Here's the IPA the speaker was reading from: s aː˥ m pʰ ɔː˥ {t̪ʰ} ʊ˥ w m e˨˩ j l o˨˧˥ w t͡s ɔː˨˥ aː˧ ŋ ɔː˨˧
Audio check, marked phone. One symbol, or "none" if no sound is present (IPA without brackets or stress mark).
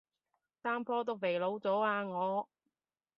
t̪